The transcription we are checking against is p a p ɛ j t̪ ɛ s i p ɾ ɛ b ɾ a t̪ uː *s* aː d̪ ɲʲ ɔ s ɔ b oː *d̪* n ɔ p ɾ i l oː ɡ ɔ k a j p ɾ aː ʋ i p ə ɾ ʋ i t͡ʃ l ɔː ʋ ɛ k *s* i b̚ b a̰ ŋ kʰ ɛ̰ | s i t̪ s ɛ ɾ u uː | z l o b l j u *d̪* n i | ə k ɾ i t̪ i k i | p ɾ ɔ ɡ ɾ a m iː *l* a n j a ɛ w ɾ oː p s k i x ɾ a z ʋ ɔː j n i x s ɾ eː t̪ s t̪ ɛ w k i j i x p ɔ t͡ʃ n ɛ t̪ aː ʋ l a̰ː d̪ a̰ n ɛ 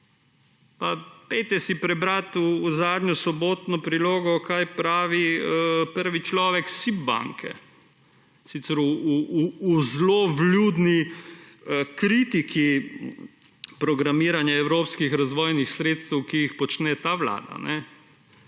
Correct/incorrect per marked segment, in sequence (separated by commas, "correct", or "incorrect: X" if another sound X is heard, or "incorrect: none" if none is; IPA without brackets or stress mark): incorrect: z, incorrect: t̪, correct, correct, incorrect: ɾ